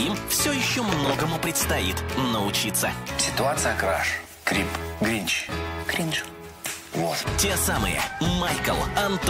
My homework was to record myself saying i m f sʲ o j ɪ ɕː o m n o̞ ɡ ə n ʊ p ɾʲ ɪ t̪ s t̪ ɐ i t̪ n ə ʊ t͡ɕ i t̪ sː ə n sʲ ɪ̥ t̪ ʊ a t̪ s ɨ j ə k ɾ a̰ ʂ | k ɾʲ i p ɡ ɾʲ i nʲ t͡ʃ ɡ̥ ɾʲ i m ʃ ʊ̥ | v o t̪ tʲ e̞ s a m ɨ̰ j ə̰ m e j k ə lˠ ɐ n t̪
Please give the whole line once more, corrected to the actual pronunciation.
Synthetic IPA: i m f sʲ o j ɪ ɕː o m n o̞ ɡ ə m ʊ p ɾʲ ɪ t̪ s t̪ ɐ i t̪ n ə ʊ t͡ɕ i t̪ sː ə sʲ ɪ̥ t̪ ʊ a t̪ s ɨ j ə k ɾ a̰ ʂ | k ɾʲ i p ɡ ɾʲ i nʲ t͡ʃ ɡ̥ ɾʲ i n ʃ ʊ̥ | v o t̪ tʲ e̞ s a m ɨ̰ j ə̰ m a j k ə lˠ ɐ n t̪